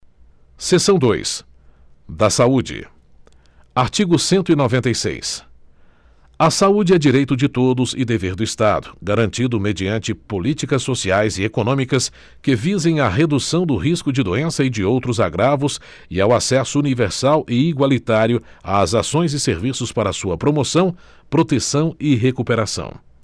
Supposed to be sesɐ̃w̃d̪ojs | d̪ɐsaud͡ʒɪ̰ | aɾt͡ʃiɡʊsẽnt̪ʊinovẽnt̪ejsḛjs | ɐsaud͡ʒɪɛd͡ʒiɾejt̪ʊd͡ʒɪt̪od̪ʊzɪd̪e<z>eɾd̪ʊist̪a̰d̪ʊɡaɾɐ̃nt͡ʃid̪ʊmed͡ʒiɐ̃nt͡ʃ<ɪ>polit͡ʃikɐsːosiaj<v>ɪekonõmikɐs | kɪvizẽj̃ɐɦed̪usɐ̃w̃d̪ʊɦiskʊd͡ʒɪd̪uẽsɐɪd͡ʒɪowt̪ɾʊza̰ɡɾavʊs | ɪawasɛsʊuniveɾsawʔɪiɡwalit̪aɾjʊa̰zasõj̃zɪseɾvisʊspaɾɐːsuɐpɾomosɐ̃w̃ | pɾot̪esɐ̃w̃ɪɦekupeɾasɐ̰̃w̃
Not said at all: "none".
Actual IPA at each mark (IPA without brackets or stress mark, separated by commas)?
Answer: v, ɪ, z